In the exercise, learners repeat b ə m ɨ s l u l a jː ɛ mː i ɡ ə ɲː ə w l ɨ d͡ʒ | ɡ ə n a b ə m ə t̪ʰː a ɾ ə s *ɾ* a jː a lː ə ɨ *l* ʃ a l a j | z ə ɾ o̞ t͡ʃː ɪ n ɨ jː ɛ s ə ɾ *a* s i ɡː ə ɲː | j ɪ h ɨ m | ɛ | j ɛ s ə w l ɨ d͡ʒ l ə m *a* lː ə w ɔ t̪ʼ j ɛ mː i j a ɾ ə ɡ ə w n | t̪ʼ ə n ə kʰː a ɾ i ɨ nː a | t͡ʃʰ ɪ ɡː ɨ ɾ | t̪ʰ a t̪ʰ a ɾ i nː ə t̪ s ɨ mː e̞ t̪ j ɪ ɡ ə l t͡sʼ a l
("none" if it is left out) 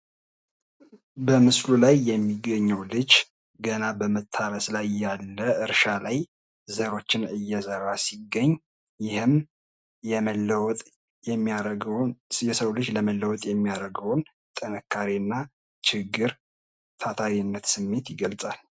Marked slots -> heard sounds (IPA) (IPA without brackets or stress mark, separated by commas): l, ɾ, a, ə